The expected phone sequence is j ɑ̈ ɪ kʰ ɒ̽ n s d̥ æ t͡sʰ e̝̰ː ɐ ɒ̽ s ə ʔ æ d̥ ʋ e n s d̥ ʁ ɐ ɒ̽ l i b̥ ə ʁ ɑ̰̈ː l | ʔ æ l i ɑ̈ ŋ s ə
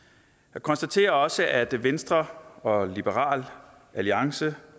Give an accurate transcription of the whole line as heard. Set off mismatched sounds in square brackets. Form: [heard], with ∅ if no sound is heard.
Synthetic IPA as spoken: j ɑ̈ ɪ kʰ ɒ̽ n s d̥ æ t͡sʰ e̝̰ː ɐ ɒ̽ s ə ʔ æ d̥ ʋ e n s d̥ ʁ ɐ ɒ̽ l i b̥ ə ʁ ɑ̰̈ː l | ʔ æ l i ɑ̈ ŋ s ə